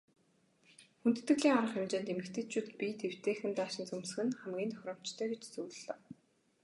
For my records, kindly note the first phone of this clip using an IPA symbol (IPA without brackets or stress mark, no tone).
x